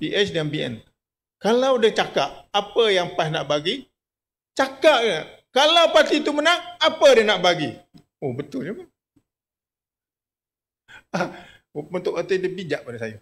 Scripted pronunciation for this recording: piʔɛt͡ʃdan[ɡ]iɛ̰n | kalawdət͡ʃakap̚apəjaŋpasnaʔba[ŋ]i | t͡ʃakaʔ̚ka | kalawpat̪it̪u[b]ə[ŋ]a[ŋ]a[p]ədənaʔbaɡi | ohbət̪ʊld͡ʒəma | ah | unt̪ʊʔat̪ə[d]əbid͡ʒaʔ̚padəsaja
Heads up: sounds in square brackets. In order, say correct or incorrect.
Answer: incorrect: b, incorrect: ɡ, incorrect: m, incorrect: n, correct, correct, correct

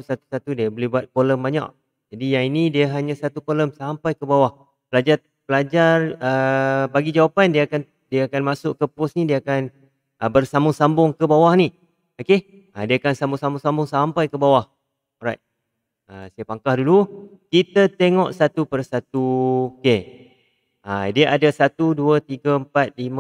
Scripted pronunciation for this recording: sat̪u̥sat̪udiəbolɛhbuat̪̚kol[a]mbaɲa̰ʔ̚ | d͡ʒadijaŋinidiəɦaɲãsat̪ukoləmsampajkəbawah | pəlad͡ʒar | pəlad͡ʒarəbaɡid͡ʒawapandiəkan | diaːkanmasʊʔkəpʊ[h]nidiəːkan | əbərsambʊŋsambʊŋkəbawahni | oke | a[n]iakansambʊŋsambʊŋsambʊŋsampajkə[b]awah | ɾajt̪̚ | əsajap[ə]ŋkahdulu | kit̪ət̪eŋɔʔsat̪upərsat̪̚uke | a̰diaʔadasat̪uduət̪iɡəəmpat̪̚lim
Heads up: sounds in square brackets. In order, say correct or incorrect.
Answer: incorrect: ə, incorrect: s, incorrect: d, correct, incorrect: a

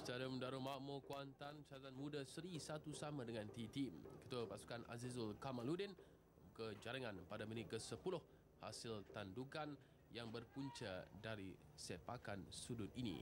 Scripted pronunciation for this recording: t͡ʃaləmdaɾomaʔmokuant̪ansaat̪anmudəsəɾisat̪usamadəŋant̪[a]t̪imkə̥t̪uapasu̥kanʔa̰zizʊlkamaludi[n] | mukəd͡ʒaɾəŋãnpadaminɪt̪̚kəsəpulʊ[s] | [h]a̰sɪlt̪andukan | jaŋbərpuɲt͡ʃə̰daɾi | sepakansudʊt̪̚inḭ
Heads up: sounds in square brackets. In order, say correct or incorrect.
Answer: incorrect: i, correct, incorrect: h, correct

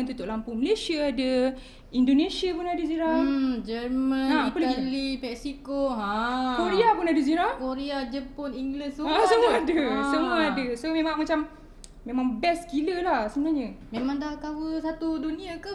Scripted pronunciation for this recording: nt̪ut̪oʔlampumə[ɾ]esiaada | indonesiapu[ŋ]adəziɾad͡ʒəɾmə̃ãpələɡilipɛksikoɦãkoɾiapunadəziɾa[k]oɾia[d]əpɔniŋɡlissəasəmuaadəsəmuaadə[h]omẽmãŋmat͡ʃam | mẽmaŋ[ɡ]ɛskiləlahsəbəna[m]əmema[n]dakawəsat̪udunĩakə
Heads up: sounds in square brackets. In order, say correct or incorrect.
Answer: incorrect: l, incorrect: n, correct, incorrect: d͡ʒ, incorrect: s, incorrect: b, incorrect: ɲ, incorrect: ŋ

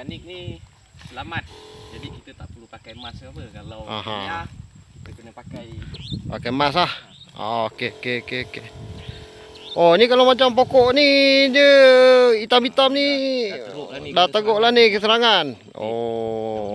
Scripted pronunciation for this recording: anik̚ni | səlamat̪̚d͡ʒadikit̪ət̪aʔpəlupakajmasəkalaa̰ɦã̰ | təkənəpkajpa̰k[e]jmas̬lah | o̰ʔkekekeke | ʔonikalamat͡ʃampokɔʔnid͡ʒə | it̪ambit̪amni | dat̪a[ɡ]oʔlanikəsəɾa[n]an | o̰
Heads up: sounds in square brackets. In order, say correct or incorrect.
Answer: incorrect: a, correct, incorrect: ŋ

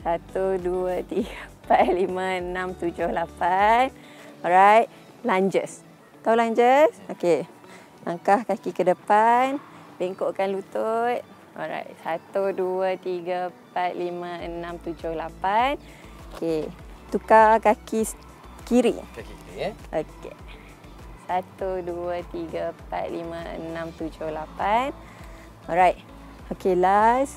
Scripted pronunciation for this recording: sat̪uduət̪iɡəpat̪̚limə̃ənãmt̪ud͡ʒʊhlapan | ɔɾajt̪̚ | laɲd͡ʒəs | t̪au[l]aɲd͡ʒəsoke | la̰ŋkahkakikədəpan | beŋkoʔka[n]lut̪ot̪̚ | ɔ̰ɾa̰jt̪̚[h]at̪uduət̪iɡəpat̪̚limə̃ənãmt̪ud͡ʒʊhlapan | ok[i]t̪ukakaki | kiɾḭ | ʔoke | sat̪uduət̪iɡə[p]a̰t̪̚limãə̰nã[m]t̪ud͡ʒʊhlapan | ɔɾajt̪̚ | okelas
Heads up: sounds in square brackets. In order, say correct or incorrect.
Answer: correct, correct, incorrect: s, incorrect: e, correct, correct

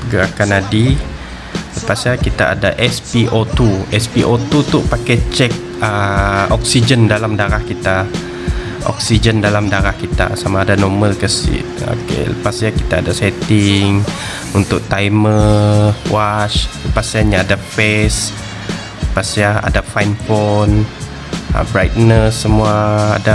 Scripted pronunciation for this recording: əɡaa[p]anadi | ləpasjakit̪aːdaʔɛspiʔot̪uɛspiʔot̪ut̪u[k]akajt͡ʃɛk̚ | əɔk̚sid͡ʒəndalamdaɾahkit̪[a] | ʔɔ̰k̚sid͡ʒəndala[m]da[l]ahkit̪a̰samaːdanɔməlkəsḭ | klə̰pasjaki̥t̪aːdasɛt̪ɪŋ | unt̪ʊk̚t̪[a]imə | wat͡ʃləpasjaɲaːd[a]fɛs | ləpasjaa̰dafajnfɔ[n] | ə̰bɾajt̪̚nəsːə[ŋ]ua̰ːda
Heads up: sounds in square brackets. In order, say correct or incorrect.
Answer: incorrect: k, incorrect: p, correct, correct, incorrect: ɾ, correct, correct, correct, incorrect: m

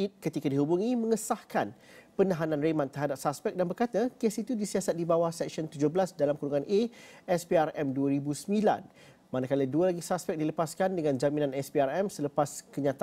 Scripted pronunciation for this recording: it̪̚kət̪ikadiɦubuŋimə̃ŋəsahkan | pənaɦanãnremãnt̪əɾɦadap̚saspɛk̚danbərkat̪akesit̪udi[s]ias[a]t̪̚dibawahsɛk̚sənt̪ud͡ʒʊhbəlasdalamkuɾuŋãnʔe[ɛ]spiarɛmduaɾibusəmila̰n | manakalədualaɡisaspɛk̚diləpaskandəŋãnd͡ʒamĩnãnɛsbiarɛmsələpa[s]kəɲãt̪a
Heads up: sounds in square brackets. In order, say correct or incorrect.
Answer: correct, correct, correct, correct

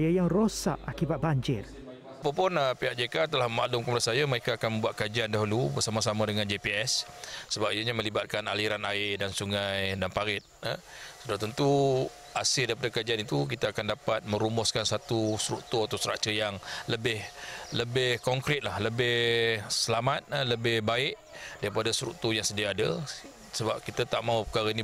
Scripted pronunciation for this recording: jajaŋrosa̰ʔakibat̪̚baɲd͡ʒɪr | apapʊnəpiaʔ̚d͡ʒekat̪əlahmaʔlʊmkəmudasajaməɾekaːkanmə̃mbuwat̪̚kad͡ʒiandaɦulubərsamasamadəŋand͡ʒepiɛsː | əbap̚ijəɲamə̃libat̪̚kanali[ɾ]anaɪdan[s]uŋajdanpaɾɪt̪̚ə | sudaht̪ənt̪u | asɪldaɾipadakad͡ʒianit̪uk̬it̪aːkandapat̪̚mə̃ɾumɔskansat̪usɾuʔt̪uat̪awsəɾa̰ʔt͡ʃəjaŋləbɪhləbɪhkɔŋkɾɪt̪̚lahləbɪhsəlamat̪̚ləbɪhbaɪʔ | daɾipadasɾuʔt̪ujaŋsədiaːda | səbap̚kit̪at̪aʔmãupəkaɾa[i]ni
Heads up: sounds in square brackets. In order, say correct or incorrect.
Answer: correct, correct, correct

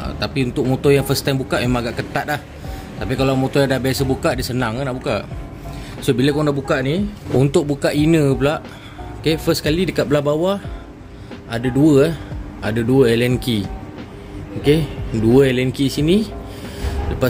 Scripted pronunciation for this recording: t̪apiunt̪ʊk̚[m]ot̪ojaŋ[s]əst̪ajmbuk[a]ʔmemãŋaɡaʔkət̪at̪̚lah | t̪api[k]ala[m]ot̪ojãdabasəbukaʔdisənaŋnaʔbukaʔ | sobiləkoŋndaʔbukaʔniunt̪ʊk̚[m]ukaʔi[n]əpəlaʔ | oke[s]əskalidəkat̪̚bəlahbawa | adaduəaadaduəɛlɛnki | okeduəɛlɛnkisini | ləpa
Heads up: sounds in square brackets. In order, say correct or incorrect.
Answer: correct, incorrect: f, correct, correct, correct, incorrect: b, correct, incorrect: f

